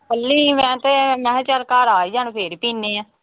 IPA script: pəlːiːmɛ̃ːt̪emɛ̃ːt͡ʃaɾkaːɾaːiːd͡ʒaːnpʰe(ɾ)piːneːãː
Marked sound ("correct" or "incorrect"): correct